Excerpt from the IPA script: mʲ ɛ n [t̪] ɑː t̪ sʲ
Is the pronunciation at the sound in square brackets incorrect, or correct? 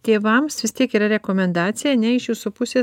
incorrect